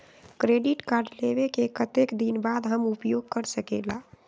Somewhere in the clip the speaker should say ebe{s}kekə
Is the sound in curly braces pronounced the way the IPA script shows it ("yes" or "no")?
no